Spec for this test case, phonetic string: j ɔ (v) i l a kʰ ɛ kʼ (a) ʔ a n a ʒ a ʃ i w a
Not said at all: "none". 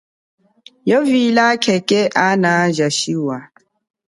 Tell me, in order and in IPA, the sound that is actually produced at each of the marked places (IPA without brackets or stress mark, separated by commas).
v, ɛ